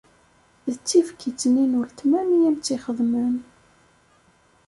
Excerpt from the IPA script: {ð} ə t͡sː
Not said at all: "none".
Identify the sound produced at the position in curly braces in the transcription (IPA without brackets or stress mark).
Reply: ð